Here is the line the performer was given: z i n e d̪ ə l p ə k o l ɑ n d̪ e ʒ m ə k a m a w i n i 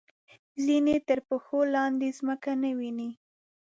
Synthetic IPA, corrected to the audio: z i n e t̪ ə ɾ p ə x o l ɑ n d̪ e z m ə k a n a w i n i